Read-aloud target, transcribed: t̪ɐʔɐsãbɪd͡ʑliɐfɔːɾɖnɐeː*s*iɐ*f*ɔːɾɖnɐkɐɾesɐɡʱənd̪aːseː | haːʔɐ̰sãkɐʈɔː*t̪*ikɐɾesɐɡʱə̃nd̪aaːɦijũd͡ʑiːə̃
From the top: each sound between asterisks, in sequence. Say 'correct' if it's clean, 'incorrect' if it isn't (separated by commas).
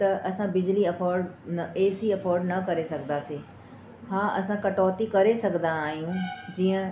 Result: correct, correct, correct